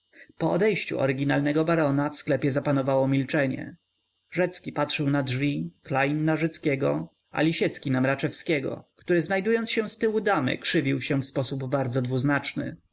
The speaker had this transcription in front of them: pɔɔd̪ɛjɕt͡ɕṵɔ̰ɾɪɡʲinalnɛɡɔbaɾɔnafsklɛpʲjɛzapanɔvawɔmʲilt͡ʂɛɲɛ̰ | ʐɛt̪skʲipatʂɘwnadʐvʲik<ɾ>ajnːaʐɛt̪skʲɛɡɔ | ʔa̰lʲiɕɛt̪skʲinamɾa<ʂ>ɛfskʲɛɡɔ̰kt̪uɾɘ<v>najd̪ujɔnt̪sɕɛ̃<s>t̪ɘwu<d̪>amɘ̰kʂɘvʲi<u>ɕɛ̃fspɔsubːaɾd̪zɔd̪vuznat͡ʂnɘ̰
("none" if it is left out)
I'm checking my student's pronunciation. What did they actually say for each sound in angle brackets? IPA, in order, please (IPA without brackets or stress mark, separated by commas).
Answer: l, t͡ʂ, z, s, d̪, w